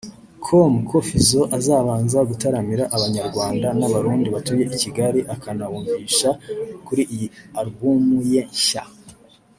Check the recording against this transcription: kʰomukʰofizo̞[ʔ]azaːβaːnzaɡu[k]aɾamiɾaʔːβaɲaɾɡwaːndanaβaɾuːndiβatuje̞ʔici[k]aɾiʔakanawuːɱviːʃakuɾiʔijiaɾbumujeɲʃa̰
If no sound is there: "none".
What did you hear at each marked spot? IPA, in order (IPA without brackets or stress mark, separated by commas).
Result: ʔ, t, ɡ